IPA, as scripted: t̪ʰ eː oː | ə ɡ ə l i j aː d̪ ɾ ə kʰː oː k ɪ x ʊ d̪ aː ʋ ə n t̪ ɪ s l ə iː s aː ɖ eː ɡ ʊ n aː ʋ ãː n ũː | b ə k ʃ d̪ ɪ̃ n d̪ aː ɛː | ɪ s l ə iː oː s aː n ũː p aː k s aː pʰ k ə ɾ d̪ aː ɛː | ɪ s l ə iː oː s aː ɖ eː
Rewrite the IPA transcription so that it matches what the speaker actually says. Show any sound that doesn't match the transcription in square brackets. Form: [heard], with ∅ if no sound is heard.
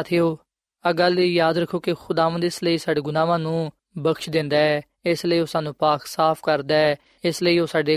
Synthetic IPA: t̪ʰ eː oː | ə ɡ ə l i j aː d̪ ɾ ə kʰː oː k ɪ x ʊ d̪ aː ʋ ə n [d̪] ɪ s l ə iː s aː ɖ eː ɡ ʊ n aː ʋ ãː n ũː | b ə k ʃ d̪ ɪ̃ n d̪ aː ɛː | ɪ s l ə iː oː s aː n ũː p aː k s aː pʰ k ə ɾ d̪ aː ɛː | ɪ s l ə iː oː s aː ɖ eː